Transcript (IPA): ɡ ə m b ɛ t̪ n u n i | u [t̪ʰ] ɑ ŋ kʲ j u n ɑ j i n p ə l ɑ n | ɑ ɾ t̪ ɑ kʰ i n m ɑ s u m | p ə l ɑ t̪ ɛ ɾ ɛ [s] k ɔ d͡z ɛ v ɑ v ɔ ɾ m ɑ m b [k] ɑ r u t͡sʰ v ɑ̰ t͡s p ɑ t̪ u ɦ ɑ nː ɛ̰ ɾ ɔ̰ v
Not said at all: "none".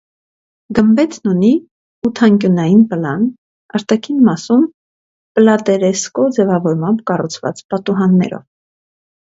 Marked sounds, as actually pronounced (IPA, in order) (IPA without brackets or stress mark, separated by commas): t̪ʰ, s, k